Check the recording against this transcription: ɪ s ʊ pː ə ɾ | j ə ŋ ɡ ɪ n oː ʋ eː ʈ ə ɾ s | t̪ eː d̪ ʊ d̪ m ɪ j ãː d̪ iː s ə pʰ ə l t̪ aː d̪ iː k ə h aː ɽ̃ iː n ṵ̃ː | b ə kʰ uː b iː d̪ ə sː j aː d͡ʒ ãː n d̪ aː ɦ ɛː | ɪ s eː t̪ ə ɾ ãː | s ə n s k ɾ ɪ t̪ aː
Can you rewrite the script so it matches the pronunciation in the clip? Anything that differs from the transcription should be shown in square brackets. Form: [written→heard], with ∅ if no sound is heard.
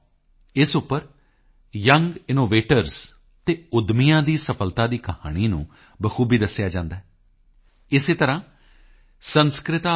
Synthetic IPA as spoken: ɪ s ʊ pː ə ɾ | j ə ŋ ɡ ɪ n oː ʋ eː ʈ ə ɾ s | t̪ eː [d̪→∅] ʊ d̪ m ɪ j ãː d̪ iː s ə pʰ ə l t̪ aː d̪ iː k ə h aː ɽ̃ iː n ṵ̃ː | b ə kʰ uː b iː d̪ ə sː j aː d͡ʒ ãː n d̪ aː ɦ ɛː | ɪ s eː t̪ ə ɾ ãː | s ə n s k ɾ ɪ t̪ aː